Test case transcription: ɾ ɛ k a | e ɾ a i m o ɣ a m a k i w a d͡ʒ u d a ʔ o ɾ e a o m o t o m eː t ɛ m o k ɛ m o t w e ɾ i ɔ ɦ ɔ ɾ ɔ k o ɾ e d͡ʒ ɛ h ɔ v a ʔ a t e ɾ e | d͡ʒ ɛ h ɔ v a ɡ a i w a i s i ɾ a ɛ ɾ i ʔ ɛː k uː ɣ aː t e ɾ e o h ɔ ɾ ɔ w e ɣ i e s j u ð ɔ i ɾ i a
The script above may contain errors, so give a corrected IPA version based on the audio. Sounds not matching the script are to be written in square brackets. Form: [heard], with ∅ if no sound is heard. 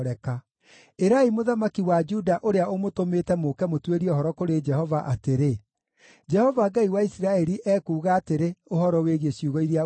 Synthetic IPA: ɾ ɛ k a | e ɾ a i m o [ð] a m a k i w a d͡ʒ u d a ʔ o ɾ e a o m o t o m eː t ɛ m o k ɛ m o t w e ɾ i ɔ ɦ ɔ ɾ ɔ k o ɾ e d͡ʒ ɛ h ɔ v a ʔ a t e ɾ e | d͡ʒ ɛ h ɔ v a ɡ a i w a i s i ɾ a ɛ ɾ i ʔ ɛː k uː ɣ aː t e ɾ e o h ɔ ɾ ɔ w e ɣ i e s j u [ɣ] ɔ i ɾ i a